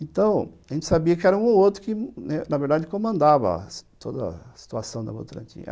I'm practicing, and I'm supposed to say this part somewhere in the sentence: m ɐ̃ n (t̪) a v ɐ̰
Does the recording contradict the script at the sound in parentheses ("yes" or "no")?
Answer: yes